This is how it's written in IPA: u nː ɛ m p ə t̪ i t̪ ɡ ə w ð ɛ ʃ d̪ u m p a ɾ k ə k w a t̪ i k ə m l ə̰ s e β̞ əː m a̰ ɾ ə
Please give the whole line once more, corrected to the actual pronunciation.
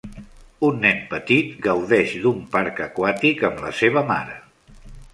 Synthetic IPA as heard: u nː ɛ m p ə t̪ i t̪ ɡ ə w ð ɛ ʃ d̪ u m p a ɾ k ə k w a t̪ i k ə m l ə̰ s e β̞ ə m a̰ ɾ ə